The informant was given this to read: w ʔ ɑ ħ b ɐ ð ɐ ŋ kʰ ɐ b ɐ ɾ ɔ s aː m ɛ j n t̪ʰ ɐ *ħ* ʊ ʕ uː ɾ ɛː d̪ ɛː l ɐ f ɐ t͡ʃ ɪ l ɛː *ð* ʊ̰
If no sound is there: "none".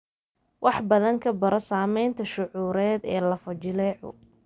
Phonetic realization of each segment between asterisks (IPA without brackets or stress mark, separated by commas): ʃ, ʕ